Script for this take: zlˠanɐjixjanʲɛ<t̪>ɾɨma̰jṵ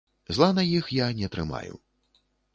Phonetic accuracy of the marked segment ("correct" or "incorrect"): correct